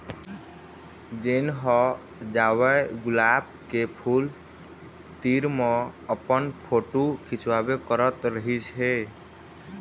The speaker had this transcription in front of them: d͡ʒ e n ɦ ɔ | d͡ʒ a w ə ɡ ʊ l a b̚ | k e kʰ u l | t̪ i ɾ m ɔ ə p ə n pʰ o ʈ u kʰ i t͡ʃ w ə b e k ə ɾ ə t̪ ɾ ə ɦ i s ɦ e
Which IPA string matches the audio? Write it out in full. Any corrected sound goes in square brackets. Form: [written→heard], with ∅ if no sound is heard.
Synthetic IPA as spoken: d͡ʒ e n ɦ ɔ | d͡ʒ a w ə ɡ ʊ l a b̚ | k e [kʰ→pʰ] u l | t̪ i ɾ m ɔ ə p ə n pʰ o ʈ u kʰ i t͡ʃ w [ə→a] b e k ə ɾ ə t̪ ɾ ə ɦ i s ɦ e